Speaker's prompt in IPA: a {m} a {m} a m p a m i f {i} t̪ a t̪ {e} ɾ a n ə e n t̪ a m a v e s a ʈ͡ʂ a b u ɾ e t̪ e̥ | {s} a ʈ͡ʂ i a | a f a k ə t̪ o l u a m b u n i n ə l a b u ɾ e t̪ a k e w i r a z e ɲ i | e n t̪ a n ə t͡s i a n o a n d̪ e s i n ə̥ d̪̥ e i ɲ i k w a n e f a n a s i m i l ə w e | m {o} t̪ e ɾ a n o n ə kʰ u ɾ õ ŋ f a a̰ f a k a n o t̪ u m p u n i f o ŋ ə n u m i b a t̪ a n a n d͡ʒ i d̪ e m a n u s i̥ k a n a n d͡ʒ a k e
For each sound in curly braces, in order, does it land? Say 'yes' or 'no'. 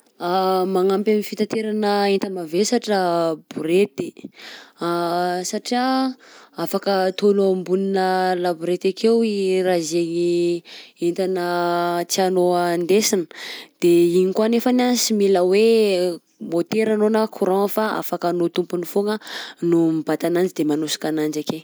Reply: yes, no, yes, yes, yes, yes

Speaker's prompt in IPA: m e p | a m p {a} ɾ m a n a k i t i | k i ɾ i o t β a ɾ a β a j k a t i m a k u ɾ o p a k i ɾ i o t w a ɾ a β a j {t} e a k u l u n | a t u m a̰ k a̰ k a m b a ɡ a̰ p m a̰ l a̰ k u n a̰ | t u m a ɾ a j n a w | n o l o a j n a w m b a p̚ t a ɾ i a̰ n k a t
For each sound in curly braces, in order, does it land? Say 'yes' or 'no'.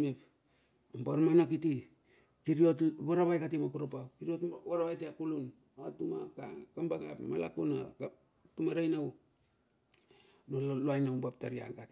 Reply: yes, yes

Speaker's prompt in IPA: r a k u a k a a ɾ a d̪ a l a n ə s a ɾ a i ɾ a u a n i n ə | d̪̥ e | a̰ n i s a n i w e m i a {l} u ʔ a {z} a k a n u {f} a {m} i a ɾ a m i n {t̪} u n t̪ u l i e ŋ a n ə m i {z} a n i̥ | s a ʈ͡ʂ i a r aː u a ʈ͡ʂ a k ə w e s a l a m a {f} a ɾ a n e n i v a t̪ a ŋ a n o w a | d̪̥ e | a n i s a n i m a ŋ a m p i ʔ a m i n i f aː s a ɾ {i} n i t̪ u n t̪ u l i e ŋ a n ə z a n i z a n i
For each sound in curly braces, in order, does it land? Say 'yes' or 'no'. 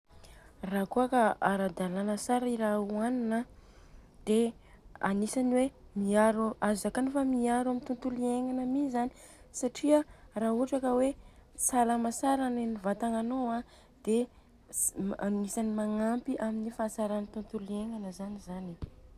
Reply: no, yes, yes, yes, yes, yes, no, no

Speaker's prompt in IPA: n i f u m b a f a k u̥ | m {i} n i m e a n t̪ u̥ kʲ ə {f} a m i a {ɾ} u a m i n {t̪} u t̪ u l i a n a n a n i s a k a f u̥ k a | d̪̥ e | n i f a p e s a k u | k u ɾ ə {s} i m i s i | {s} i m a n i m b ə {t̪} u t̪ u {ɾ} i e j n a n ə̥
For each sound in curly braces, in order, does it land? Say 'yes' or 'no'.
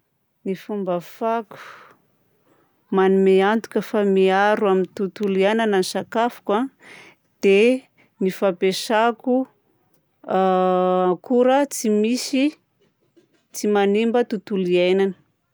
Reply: no, yes, yes, yes, no, no, yes, no

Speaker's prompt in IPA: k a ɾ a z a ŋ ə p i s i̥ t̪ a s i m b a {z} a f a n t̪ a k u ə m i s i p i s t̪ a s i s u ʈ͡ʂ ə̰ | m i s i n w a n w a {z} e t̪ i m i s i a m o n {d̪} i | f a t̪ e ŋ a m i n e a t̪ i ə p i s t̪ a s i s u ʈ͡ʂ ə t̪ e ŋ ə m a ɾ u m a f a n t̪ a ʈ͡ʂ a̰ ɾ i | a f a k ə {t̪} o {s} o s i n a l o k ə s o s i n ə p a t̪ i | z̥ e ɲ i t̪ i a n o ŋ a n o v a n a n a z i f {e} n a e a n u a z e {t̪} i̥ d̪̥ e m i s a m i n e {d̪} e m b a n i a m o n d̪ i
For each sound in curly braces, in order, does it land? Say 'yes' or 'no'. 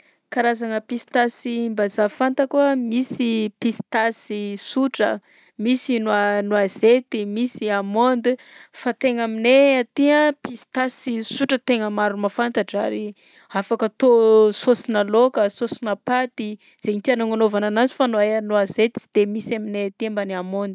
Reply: yes, yes, yes, yes, yes, no, yes, no

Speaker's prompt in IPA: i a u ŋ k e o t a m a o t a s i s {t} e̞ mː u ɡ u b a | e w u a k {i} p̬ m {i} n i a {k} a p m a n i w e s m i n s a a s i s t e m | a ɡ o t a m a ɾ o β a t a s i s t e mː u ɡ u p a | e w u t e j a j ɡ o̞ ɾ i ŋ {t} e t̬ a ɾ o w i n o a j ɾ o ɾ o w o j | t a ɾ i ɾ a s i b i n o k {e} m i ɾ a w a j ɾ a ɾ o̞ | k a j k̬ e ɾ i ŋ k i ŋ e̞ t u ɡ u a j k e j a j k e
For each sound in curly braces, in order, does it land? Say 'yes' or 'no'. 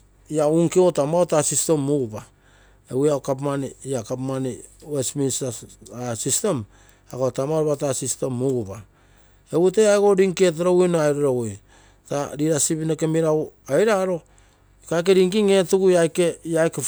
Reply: yes, no, no, yes, no, yes

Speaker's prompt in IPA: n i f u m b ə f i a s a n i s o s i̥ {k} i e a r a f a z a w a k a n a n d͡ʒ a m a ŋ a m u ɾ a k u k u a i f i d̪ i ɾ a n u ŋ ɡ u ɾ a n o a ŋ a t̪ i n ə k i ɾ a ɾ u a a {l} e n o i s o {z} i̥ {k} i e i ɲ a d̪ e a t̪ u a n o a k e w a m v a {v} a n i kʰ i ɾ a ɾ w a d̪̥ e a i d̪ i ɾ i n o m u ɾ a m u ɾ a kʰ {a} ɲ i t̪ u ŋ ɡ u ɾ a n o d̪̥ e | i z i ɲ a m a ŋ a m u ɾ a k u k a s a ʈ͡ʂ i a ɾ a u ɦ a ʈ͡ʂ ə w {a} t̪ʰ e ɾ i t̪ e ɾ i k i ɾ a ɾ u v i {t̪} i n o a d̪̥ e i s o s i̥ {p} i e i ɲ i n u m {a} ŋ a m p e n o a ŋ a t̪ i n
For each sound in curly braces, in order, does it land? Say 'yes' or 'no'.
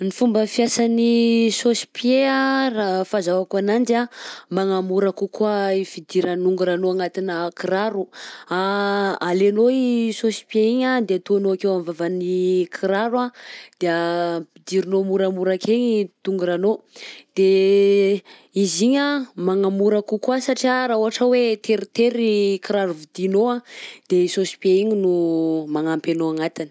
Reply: no, yes, no, no, yes, no, no, no, yes, yes

